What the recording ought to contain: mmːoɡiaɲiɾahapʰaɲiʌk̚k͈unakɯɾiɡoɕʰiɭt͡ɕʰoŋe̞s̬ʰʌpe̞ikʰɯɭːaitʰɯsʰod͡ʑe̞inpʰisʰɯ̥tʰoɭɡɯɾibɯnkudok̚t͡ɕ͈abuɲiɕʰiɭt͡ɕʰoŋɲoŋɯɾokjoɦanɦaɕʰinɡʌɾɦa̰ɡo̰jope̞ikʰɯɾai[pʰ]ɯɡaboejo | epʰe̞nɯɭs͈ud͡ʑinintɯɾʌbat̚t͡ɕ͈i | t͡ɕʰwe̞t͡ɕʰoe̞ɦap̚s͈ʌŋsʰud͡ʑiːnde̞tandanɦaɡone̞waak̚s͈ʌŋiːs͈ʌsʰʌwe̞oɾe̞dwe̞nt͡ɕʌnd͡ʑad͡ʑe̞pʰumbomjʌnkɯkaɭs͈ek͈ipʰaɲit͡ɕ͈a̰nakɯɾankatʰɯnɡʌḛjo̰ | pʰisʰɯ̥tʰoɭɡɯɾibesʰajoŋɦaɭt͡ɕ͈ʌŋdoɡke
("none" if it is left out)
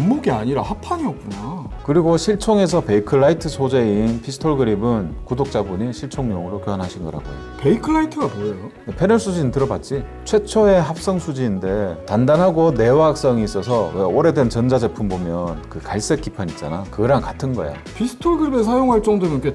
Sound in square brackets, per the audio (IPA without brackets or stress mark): tʰ